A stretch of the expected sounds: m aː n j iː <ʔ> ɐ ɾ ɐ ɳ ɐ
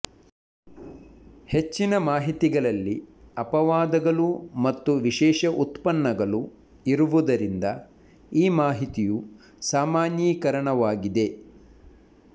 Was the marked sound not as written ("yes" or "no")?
yes